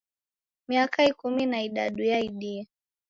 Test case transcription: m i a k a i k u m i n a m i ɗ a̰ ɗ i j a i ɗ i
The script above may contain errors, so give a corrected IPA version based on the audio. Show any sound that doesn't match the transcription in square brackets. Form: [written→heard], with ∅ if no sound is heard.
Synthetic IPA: m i a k a i k u m i n a [m→∅] i ɗ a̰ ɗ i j a i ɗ i